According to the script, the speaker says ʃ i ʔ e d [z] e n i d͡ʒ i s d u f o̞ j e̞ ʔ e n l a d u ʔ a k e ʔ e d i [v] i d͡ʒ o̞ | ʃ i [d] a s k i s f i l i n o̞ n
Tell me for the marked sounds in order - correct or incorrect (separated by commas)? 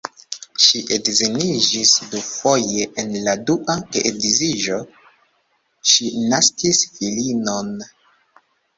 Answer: correct, incorrect, incorrect